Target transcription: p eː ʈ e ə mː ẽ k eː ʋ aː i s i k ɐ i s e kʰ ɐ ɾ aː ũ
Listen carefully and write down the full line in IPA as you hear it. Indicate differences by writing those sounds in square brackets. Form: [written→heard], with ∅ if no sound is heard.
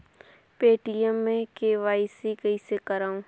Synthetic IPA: p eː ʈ [e→i] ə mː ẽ k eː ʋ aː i s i k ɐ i s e [kʰ→k] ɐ ɾ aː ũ